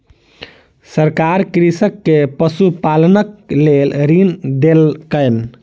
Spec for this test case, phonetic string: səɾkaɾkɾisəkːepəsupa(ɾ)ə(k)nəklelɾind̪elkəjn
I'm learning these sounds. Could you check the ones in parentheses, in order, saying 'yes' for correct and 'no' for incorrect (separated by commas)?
no, no